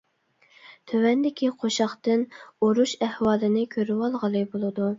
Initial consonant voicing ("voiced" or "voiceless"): voiceless